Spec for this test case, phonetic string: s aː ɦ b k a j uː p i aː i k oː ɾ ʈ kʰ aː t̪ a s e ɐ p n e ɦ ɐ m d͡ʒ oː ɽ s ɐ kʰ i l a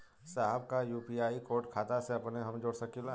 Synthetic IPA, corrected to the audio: s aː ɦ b k a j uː p i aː i k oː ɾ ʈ kʰ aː t̪ a s e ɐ p n e ɦ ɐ m d͡ʒ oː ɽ s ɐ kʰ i l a